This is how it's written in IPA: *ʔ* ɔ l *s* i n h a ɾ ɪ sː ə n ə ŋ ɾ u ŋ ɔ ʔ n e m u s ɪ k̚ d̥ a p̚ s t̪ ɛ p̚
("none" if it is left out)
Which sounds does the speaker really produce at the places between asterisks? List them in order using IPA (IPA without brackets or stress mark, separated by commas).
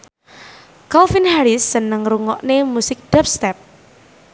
k, f